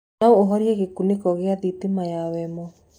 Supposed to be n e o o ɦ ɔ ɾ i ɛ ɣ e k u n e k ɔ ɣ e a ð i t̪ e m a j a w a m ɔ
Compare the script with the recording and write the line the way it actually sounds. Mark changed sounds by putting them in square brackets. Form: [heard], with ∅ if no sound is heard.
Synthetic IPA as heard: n [a] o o ɦ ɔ ɾ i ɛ ɣ e k u n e k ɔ ɣ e a ð i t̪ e m a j a w [ɛ] m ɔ